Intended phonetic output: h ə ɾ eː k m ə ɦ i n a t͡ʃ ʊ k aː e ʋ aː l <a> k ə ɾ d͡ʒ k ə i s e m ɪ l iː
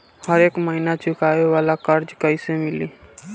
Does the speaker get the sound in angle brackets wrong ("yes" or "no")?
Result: no